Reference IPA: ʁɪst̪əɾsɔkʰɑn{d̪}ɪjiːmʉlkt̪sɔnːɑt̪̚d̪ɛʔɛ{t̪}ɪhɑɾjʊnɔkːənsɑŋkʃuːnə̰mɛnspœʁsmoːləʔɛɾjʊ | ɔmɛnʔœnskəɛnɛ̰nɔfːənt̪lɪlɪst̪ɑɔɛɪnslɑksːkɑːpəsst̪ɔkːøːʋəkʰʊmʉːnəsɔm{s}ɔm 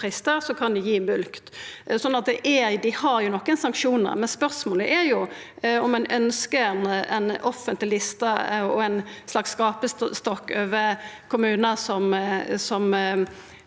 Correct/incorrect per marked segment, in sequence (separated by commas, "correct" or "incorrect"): correct, incorrect, correct